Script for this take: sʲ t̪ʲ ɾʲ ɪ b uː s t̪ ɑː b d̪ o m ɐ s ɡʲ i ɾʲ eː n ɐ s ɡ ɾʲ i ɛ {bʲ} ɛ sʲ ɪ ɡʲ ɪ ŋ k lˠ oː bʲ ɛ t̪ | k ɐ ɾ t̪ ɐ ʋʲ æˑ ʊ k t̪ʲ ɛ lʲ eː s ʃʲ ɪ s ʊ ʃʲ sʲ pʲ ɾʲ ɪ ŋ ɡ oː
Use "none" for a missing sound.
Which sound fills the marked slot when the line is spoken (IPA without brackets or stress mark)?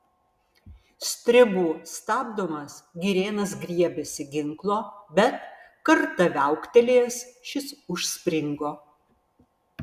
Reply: bʲ